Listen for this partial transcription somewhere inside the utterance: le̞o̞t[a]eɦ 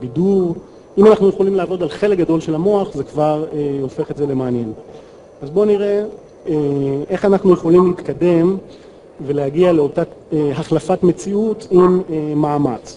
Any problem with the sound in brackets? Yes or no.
no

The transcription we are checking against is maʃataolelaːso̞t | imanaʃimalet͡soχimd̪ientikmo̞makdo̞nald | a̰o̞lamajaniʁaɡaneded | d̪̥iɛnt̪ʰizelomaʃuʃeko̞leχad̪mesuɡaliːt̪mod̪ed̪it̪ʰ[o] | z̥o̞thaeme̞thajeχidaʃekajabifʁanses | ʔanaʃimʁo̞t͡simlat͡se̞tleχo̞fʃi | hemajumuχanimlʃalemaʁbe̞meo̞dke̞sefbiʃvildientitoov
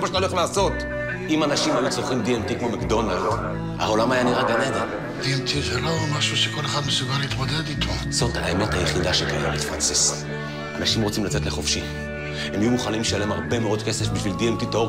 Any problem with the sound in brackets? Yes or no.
no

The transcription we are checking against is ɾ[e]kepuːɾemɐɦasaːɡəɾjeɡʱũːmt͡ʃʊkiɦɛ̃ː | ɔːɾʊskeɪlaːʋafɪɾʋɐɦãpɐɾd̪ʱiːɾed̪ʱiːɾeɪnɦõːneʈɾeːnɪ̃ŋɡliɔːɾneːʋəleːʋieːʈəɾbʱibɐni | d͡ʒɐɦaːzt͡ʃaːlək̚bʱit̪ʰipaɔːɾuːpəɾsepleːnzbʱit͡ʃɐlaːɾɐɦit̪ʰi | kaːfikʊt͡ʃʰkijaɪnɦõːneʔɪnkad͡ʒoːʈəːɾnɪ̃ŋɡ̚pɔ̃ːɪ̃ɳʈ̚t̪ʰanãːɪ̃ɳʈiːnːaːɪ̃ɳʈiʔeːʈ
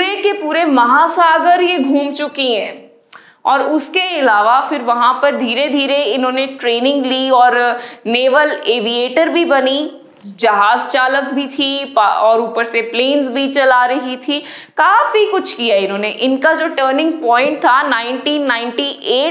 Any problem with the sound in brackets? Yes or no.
no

